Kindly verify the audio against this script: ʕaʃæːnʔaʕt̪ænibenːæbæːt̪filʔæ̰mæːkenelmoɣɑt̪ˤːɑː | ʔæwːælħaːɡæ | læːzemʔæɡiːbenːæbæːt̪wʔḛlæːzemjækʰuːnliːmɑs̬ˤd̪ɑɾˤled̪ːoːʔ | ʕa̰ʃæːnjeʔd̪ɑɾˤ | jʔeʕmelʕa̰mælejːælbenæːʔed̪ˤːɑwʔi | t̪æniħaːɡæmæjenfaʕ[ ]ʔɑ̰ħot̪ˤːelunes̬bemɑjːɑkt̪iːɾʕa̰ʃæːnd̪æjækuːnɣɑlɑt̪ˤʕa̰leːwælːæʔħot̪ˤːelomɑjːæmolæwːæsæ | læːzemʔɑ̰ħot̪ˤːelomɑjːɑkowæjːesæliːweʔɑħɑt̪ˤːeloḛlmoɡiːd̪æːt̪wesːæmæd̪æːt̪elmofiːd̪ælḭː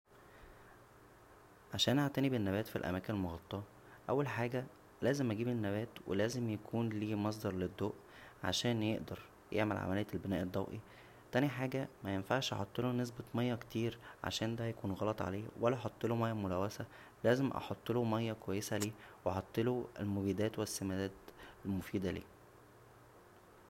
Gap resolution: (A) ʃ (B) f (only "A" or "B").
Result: A